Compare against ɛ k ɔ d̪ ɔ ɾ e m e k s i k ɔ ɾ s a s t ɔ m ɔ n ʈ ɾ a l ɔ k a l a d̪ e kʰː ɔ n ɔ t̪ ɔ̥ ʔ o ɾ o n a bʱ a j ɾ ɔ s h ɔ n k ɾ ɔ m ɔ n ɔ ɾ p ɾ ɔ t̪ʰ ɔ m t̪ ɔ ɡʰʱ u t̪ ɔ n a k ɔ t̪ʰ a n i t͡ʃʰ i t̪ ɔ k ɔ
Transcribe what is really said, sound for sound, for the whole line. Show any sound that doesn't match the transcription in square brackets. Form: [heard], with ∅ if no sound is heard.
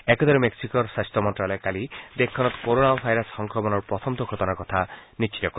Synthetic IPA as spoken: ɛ k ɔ d̪ ɔ ɾ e m e k s i k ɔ ɾ s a s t ɔ m ɔ n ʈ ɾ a l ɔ k a l [i] d̪ e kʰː ɔ n ɔ t̪ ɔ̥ [k] o ɾ o n a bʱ a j ɾ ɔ s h ɔ [ŋ] k ɾ ɔ m ɔ n ɔ ɾ p ɾ ɔ t̪ʰ ɔ m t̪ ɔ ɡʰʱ [ɔ] t̪ ɔ n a k ɔ t̪ʰ a n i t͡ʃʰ i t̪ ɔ k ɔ